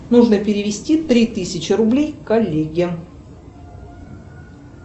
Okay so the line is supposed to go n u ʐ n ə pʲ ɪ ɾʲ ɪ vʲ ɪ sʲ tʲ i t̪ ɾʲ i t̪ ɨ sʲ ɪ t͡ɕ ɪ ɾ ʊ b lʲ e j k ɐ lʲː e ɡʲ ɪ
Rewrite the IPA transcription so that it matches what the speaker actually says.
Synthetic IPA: n u ʐ n ə pʲ ɪ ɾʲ ɪ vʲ ɪ sʲ tʲ i t̪ ɾʲ i t̪ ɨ sʲ ɪ t͡ɕ ɪ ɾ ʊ b lʲ e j k ɐ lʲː e ɡʲ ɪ

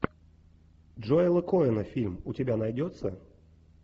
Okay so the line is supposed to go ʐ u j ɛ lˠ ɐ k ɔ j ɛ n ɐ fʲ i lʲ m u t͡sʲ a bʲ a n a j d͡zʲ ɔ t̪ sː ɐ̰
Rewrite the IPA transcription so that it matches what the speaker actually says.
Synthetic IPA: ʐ ɔ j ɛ lˠ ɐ k ɔ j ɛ n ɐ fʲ i lʲ m u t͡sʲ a bʲ a n a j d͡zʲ ɔ t̪ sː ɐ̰

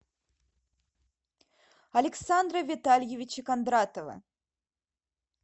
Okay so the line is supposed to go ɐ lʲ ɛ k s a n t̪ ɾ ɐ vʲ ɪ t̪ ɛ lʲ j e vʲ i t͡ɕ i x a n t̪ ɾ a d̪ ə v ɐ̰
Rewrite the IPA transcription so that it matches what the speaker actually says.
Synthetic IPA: ɐ lʲ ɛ k s a n d̪ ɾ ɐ vʲ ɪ t̪ a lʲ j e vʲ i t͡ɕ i k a n d̪ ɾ a t̪ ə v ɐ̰

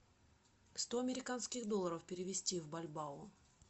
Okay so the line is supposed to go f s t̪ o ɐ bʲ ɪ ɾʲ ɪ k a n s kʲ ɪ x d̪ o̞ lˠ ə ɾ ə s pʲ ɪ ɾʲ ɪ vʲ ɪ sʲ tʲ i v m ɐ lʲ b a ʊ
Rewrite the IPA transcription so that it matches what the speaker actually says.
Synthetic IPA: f s t̪ o ɐ mʲ ɪ ɾʲ ɪ k a n s kʲ ɪ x d̪ o̞ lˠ ə ɾ ə f pʲ ɪ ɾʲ ɪ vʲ ɪ sʲ tʲ i v b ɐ lʲ b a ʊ

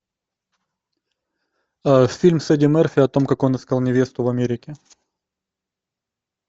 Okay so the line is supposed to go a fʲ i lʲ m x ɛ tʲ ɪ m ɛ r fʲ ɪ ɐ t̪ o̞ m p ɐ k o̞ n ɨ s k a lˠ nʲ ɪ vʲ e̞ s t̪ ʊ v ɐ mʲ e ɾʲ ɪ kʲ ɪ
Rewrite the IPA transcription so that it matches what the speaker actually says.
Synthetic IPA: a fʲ i lʲ m s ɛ dʲ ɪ m ɛ r fʲ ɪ ɐ t̪ o̞ m k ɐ k o̞ n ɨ s k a lˠ nʲ ɪ vʲ e̞ s t̪ ʊ v ɐ mʲ e ɾʲ ɪ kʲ ɪ

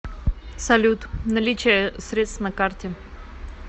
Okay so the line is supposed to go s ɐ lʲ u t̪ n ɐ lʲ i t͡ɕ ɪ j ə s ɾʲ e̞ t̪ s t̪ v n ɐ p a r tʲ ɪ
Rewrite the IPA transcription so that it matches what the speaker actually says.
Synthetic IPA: s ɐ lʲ u t̪ n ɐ lʲ i t͡ɕ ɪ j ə s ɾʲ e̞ t̪ s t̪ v n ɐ k a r tʲ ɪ

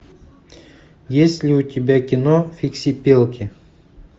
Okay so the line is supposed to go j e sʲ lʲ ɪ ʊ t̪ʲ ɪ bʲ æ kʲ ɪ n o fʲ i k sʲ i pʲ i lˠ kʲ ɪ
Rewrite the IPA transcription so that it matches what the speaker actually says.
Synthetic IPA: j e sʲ lʲ ɪ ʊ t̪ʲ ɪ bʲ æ kʲ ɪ n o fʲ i k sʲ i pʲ e lˠ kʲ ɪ

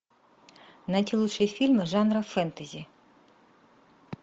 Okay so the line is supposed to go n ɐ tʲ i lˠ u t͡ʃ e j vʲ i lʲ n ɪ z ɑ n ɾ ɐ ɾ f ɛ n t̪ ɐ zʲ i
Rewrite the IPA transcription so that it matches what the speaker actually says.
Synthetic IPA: n ɐ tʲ i lˠ u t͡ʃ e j fʲ i lʲ m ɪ ʒ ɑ n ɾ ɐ f ɛ n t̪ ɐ zʲ i

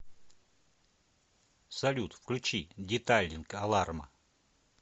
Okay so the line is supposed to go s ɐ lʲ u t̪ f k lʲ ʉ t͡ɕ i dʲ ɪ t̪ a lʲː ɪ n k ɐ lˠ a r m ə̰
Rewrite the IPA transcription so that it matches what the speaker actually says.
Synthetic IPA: s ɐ lʲ u t̪ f k lʲ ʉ t͡ɕ i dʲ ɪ t̪ a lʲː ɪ n k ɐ lˠ a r m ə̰

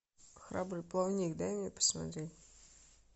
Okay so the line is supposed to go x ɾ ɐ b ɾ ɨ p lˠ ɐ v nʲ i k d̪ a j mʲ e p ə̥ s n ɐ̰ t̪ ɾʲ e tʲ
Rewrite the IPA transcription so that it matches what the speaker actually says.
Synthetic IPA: x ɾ a b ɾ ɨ p lˠ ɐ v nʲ i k d̪ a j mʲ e p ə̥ s m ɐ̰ t̪ ɾʲ e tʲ

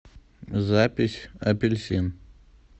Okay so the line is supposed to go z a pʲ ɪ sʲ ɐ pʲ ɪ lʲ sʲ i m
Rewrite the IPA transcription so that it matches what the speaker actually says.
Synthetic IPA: z a pʲ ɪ sʲ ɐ pʲ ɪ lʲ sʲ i n

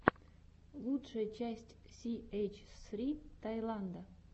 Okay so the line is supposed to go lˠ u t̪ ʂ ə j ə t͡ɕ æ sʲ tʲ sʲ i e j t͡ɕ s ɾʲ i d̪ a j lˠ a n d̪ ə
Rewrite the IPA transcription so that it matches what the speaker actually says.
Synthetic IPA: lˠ u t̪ ʂ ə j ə t͡ɕ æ sʲ tʲ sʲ i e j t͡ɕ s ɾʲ i t̪ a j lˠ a n d̪ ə

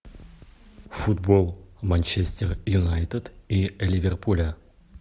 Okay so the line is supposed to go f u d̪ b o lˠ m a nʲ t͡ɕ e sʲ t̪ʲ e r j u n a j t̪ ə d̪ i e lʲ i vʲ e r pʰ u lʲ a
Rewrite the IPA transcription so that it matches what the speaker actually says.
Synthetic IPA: f u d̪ b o lˠ m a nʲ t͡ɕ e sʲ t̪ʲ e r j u n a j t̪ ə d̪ i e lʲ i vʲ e r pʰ u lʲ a

